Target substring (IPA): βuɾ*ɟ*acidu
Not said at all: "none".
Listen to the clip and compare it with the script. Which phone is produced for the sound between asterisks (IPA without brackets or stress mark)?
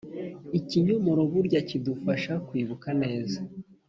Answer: ɟ